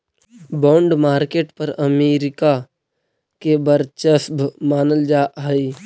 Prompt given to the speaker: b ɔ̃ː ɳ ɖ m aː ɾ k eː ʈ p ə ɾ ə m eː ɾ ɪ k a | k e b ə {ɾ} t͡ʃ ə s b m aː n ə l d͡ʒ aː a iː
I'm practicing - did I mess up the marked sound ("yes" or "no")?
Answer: no